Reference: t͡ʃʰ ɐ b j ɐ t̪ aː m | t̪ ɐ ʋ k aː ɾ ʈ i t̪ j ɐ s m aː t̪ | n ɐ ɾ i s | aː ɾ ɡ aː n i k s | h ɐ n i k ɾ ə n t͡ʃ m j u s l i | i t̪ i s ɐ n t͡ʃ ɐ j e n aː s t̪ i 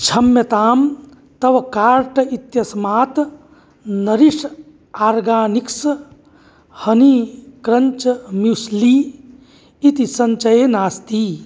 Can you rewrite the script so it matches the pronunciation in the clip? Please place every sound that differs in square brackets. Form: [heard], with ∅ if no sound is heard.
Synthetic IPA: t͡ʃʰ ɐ [m] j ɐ t̪ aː m | t̪ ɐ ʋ k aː ɾ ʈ i t̪ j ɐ s m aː t̪ | n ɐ ɾ i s | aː ɾ ɡ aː n i k s | h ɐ n i k ɾ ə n t͡ʃ m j u s l i | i t̪ i s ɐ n t͡ʃ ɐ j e n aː s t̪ i

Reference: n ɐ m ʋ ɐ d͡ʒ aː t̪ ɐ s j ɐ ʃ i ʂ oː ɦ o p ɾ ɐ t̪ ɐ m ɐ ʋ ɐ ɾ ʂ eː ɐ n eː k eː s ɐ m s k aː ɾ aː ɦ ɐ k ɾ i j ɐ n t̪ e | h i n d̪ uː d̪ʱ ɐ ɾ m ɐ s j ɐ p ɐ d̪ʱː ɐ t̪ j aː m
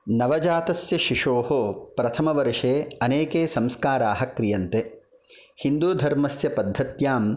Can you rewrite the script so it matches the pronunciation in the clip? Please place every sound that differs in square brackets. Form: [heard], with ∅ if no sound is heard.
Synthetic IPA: n ɐ [∅] ʋ ɐ d͡ʒ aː t̪ ɐ s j ɐ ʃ i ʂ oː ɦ o p ɾ ɐ [t̪ʰ] ɐ m ɐ ʋ ɐ ɾ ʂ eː ɐ n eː k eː s ɐ m s k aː ɾ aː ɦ ɐ k ɾ i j ɐ n t̪ e | h i n d̪ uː d̪ʱ ɐ ɾ m ɐ s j ɐ p ɐ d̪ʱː ɐ t̪ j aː m

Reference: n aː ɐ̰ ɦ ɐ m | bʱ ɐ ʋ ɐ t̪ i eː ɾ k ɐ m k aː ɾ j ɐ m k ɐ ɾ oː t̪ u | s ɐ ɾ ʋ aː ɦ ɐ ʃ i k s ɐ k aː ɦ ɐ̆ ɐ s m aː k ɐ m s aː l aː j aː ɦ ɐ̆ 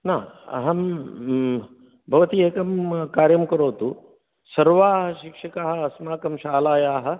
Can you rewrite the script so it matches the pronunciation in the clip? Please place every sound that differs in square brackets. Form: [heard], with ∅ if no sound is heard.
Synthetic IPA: n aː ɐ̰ ɦ ɐ m | bʱ ɐ ʋ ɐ t̪ i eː [∅] k ɐ m k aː ɾ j ɐ m k ɐ ɾ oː t̪ u | s ɐ ɾ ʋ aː ɦ ɐ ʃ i k [ʂ] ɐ k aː ɦ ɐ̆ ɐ s m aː k ɐ m [ʃ] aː l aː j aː ɦ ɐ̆

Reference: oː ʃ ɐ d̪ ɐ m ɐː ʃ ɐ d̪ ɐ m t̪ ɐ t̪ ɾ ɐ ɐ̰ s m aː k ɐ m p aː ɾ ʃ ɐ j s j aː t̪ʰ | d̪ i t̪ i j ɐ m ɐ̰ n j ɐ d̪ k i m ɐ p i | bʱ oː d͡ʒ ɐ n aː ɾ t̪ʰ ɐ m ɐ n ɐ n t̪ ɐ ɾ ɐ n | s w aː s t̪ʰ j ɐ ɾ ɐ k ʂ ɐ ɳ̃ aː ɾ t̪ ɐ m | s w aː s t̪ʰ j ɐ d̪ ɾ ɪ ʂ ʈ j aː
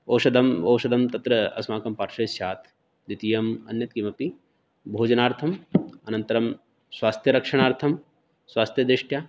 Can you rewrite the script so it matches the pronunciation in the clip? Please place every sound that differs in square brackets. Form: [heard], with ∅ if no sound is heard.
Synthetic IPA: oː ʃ ɐ d̪ ɐ m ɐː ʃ ɐ d̪ ɐ m t̪ ɐ t̪ ɾ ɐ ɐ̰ s m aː k ɐ m p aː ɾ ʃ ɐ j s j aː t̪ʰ | d̪ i t̪ i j ɐ m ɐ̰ n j ɐ [t̪] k i m ɐ p i | bʱ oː d͡ʒ ɐ n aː ɾ t̪ʰ ɐ m ɐ n ɐ n t̪ ɐ ɾ ɐ [m] | s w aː s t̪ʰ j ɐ ɾ ɐ k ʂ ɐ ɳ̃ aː ɾ [t̪ʰ] ɐ m | s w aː s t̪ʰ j ɐ d̪ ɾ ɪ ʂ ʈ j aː

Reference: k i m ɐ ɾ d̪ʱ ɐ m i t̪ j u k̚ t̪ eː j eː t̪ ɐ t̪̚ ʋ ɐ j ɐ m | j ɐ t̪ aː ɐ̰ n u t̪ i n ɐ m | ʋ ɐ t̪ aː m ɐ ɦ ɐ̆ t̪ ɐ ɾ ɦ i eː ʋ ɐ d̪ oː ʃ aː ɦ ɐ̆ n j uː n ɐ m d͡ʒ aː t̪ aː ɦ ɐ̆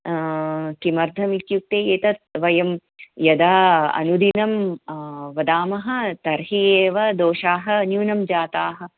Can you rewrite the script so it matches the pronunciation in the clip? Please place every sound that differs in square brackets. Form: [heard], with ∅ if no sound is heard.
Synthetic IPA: k i m ɐ ɾ d̪ʱ ɐ m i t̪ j u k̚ t̪ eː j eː t̪ ɐ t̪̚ ʋ ɐ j ɐ m | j ɐ [d̪] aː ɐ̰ n u [d̪] i n ɐ m | ʋ ɐ [d̪] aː m ɐ ɦ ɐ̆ t̪ ɐ ɾ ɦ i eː ʋ ɐ d̪ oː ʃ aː ɦ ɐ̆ n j uː n ɐ m d͡ʒ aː t̪ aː ɦ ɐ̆

